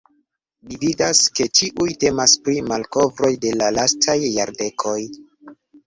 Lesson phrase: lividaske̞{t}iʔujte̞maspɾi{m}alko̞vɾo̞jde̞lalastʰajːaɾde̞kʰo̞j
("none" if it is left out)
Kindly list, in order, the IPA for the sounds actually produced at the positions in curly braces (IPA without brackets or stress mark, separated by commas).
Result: t͡ʃ, m